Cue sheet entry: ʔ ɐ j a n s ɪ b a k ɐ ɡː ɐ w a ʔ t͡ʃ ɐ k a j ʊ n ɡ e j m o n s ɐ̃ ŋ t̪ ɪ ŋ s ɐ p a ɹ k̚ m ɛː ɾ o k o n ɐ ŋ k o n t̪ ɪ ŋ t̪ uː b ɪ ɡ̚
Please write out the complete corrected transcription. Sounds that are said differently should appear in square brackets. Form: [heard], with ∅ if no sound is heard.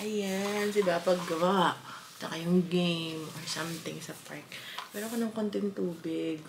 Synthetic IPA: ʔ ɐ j a n s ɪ b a [p] ɐ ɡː ɐ w a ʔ t͡ʃ ɐ k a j ʊ [ŋ] ɡ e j m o n s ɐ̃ [m] t̪ ɪ ŋ s ɐ p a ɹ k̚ m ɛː ɾ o k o n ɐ ŋ k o n t̪ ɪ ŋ t̪ uː b ɪ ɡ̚